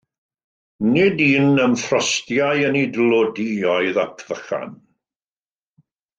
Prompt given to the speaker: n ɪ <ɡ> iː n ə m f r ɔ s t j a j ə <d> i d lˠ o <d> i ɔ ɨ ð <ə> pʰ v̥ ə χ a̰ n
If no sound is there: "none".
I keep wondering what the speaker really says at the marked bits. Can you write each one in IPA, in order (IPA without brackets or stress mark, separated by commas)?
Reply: d, n, d, a